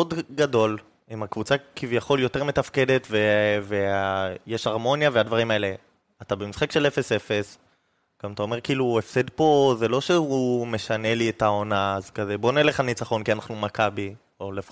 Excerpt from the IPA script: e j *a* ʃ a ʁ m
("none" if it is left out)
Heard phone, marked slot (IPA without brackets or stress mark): e